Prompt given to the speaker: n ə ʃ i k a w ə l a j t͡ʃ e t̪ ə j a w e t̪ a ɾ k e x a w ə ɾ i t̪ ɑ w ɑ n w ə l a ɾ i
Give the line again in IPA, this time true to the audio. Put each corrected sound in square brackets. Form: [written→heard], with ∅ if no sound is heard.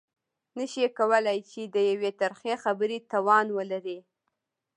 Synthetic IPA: n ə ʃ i k a w ə l a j t͡ʃ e [t̪→d̪] ə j a w e t̪ a ɾ [k→x] e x a [w→b] ə ɾ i t̪ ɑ w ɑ n w ə l a ɾ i